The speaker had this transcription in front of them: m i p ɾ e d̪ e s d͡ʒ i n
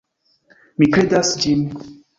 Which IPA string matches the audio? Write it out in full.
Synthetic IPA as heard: m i k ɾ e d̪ a s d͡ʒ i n